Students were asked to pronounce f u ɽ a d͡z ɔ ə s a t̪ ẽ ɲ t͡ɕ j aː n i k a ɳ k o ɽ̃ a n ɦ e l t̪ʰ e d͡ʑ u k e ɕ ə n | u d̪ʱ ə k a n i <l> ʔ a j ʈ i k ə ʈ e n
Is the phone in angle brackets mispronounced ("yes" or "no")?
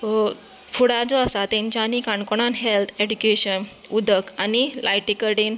no